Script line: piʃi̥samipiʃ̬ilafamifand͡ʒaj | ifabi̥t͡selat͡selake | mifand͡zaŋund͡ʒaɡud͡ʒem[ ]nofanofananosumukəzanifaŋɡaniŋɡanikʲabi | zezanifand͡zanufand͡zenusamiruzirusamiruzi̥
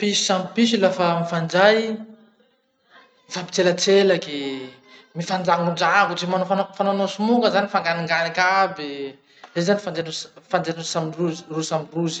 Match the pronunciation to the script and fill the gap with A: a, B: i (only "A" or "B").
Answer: A